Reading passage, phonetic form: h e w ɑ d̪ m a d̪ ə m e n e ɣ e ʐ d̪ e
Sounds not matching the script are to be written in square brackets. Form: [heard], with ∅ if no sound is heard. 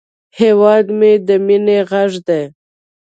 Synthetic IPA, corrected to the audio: h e w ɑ d̪ m [e] d̪ ə m [i] n e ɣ [a] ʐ d̪ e